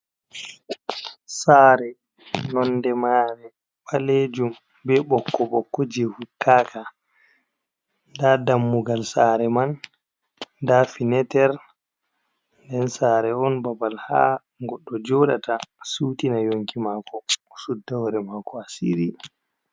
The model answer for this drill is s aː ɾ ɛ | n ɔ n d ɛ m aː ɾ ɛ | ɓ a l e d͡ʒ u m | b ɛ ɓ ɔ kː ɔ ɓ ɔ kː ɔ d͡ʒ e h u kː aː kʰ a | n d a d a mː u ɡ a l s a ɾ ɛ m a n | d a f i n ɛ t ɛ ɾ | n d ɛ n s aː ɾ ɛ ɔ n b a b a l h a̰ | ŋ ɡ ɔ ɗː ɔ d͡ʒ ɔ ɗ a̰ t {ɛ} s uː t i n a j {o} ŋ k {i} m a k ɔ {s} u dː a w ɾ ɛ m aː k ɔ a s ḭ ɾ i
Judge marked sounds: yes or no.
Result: no, yes, yes, yes

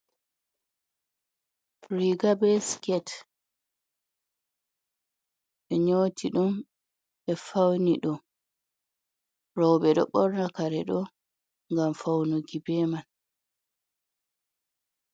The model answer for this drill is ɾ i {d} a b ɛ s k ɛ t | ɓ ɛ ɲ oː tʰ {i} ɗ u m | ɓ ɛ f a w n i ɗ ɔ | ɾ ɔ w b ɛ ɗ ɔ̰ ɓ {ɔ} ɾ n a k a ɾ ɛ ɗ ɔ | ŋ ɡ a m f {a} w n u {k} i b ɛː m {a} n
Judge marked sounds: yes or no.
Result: no, yes, yes, yes, no, yes

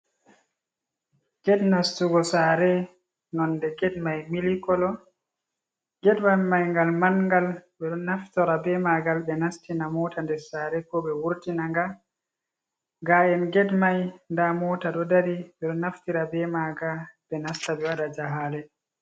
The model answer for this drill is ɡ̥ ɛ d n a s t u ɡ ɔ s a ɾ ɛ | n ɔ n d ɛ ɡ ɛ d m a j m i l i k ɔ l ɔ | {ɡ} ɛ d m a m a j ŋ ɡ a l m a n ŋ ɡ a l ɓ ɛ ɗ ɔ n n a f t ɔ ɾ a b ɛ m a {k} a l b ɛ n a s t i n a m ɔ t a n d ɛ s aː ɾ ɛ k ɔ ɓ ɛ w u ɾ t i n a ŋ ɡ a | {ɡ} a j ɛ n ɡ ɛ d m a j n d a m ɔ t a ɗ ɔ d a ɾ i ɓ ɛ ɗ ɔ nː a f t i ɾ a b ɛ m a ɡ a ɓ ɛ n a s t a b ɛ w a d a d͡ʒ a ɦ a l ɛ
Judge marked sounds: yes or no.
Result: yes, no, yes

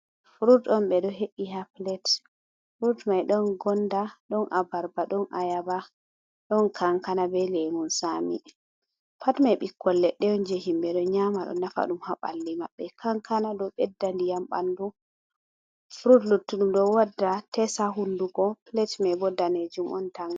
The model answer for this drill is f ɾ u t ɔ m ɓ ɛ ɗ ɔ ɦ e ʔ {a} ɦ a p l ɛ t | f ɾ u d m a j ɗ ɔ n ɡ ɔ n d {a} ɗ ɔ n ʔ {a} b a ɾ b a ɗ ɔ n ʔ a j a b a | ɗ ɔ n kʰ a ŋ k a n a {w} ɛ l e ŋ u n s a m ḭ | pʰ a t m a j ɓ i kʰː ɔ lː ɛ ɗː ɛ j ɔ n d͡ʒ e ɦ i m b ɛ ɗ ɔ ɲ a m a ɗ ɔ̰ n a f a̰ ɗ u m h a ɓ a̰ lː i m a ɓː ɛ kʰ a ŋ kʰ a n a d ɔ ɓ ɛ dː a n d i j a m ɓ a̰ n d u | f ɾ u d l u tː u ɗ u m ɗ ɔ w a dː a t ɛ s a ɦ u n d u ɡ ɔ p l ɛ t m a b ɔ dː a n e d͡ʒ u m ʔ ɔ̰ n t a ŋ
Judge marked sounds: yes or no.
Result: no, yes, yes, no

